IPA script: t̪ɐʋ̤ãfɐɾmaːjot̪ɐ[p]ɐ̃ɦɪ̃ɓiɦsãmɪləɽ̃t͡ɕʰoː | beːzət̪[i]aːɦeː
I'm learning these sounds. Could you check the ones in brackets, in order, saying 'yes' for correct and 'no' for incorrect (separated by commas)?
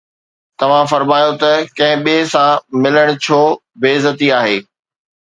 no, yes